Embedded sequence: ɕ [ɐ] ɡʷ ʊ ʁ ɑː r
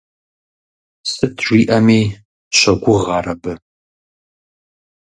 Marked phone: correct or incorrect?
correct